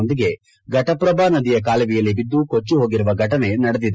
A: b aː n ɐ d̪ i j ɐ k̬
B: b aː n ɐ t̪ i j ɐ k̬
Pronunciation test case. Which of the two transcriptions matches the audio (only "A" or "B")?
A